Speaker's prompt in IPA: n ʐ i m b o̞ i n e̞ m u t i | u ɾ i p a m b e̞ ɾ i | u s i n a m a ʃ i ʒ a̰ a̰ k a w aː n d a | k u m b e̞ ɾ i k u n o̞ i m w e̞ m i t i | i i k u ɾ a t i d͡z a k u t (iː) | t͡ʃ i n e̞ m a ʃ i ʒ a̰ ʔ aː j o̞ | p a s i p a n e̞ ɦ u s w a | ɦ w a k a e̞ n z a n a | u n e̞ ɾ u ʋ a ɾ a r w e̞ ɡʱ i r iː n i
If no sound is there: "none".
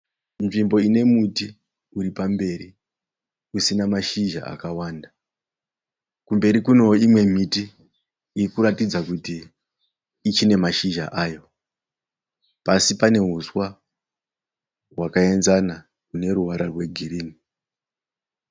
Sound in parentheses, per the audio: iː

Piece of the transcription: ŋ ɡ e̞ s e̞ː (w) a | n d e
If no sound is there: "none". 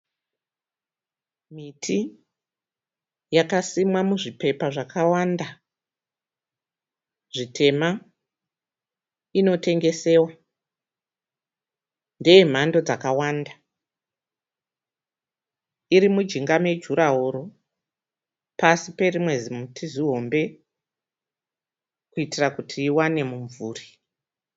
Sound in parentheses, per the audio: w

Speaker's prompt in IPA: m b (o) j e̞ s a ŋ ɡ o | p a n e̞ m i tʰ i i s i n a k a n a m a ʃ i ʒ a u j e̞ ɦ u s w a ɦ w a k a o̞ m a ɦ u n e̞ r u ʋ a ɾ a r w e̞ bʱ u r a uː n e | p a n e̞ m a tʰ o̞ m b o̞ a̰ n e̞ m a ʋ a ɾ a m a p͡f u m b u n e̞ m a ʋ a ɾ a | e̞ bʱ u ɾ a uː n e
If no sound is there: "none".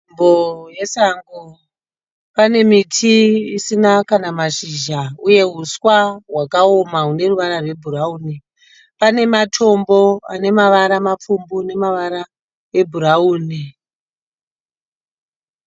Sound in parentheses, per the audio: o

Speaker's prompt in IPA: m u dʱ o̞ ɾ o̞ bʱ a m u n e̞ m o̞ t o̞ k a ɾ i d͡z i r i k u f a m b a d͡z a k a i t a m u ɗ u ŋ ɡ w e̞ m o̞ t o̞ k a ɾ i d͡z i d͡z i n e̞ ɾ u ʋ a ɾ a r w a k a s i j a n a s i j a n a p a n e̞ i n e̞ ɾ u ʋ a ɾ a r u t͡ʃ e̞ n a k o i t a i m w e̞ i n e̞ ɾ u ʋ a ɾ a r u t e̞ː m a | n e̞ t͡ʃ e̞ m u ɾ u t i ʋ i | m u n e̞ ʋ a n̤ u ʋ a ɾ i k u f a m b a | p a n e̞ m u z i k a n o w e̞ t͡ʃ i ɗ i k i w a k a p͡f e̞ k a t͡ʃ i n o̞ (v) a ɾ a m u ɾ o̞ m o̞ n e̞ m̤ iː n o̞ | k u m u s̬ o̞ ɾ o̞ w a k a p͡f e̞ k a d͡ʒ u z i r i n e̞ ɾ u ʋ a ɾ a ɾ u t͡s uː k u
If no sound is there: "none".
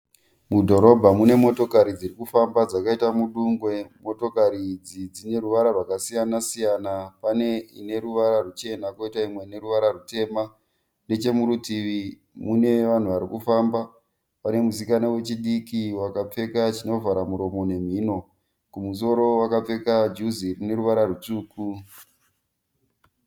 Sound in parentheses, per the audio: v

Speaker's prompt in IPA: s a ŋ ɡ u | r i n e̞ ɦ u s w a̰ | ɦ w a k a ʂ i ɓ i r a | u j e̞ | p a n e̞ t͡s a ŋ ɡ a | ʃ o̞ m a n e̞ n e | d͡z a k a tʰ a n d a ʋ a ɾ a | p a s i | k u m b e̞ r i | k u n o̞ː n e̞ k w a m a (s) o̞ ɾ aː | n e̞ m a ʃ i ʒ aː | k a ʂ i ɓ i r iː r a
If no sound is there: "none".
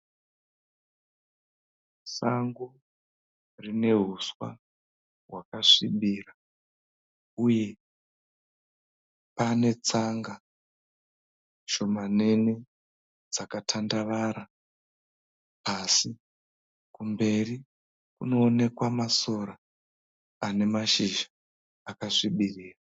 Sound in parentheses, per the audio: s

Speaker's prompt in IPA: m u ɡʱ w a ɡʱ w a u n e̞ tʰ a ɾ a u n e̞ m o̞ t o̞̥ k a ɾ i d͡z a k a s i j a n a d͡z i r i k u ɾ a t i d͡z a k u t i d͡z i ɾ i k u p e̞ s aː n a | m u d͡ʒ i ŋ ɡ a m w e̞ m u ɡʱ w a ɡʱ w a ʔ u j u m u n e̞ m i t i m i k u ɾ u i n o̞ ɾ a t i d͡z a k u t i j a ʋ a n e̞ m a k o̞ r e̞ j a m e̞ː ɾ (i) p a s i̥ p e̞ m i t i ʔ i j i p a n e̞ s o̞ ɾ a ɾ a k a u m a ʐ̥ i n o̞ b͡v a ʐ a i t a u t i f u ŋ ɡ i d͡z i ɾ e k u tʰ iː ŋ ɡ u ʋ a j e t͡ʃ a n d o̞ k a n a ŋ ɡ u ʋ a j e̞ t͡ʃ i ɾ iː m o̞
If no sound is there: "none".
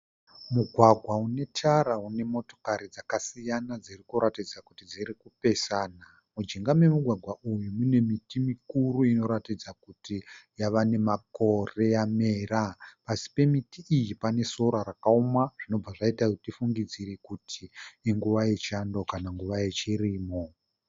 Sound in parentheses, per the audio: a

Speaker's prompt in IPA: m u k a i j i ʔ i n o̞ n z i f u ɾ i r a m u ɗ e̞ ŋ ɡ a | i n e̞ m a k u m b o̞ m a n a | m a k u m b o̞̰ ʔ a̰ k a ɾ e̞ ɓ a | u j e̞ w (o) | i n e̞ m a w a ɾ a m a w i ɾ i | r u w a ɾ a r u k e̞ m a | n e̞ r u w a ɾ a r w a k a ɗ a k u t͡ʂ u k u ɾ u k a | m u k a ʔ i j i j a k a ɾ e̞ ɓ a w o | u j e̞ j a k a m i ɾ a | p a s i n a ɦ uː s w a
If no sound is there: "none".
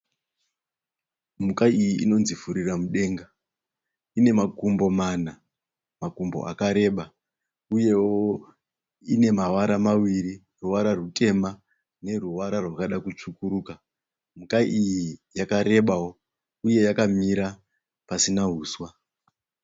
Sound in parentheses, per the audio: o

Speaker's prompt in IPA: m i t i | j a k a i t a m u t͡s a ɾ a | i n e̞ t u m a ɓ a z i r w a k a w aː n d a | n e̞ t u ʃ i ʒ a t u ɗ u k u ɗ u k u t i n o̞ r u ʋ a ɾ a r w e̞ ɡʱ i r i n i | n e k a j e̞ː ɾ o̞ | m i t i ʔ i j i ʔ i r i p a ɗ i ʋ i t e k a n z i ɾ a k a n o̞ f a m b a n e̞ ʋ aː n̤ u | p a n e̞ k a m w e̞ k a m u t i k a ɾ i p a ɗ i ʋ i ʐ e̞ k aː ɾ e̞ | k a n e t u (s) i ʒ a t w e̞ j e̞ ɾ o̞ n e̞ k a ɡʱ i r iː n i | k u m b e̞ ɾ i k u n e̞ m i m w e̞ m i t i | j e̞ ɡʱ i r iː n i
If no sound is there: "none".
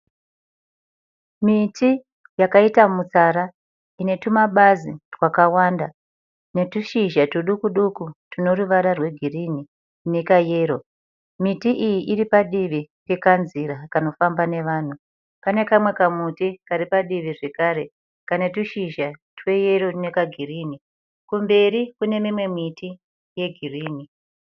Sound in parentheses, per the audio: ʃ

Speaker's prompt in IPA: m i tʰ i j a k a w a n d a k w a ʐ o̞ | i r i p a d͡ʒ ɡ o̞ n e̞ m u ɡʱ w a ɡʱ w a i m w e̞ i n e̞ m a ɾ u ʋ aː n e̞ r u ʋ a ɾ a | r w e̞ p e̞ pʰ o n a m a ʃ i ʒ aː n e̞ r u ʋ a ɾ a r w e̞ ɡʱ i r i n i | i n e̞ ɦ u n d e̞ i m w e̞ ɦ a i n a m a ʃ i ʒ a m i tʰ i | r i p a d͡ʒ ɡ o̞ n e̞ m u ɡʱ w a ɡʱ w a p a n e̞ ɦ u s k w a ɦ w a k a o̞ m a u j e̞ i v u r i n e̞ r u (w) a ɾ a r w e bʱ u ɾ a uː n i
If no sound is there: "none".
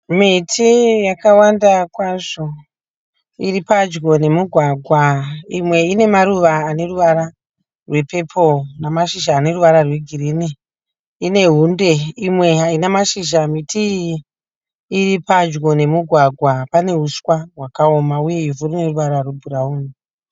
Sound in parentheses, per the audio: ʋ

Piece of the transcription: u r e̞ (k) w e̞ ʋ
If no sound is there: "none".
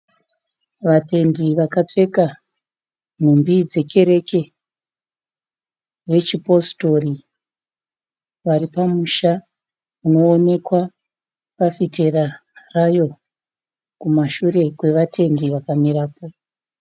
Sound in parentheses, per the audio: k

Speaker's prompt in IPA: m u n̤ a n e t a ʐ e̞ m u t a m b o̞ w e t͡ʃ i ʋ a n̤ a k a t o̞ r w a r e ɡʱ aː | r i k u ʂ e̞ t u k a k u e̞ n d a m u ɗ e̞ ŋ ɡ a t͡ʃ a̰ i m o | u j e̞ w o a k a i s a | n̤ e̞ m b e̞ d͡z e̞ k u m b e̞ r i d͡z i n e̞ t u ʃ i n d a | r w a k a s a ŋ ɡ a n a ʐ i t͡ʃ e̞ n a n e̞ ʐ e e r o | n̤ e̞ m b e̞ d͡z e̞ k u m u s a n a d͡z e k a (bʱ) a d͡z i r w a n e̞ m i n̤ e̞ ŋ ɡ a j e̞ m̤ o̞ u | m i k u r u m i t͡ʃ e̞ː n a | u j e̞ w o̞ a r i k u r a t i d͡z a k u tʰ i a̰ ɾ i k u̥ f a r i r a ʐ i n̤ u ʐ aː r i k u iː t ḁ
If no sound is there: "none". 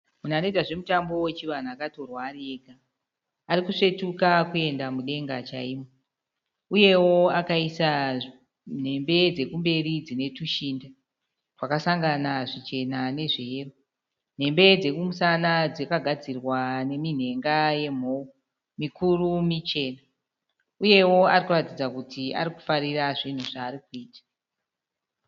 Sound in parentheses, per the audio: ɡʱ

